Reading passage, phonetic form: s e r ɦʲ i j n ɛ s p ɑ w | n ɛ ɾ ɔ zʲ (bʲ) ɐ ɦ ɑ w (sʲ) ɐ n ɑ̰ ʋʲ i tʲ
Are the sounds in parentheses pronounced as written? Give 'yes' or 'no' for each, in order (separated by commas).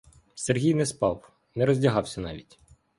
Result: no, yes